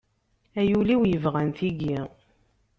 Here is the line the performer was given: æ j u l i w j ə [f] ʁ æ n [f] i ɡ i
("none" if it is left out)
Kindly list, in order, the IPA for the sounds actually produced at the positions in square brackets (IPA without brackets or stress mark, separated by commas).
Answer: v, θ